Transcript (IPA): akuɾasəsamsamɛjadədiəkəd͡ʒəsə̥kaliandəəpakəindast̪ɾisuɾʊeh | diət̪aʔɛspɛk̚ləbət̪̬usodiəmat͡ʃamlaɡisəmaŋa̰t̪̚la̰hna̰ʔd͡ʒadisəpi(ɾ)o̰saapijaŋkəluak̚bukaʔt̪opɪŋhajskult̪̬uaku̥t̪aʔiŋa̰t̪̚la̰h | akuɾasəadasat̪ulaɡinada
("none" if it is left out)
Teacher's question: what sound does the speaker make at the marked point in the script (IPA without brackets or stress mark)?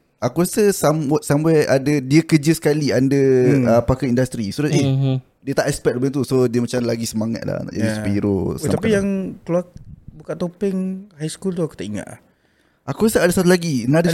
ɾ